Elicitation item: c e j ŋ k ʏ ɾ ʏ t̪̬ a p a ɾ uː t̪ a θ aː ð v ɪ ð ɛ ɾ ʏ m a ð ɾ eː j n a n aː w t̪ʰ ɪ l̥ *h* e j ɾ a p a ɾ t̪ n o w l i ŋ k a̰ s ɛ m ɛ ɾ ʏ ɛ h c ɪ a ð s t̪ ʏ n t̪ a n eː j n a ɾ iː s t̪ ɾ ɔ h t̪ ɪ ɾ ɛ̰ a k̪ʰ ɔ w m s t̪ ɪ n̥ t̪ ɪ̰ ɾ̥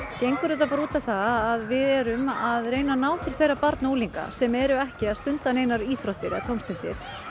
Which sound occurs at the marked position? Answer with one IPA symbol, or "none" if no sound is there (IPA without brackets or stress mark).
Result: θ